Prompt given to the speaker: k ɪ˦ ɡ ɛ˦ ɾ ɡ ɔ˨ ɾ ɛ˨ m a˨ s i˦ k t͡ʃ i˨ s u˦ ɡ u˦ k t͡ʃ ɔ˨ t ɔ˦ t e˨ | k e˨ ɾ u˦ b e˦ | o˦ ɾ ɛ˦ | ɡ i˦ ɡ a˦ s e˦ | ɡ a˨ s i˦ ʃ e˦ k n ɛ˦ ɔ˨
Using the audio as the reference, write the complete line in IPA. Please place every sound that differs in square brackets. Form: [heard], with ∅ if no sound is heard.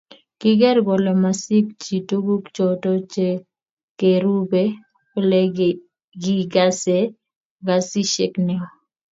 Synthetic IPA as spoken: k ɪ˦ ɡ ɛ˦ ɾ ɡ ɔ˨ [l] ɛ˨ m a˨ s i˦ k t͡ʃ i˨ [t] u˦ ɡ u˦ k t͡ʃ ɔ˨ t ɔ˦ [t͡ʃ] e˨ | k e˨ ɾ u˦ b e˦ | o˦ [l] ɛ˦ | ɡ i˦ ɡ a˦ s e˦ | ɡ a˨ s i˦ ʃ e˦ k n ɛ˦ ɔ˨